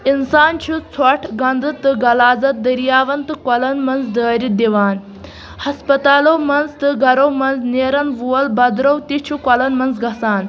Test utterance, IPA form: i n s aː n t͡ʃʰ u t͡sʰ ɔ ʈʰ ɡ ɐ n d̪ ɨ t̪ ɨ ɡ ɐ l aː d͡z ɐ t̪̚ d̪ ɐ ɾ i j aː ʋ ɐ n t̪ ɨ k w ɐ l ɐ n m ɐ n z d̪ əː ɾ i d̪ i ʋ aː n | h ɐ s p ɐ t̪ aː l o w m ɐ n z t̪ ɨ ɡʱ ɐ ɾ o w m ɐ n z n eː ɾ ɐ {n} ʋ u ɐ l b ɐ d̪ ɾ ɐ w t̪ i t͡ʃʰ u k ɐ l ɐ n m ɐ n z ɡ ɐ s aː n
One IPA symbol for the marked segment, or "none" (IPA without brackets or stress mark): n